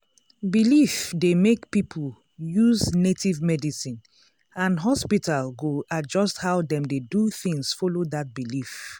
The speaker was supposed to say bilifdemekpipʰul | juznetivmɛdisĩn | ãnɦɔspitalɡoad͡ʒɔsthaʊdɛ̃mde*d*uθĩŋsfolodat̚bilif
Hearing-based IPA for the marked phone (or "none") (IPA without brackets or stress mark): d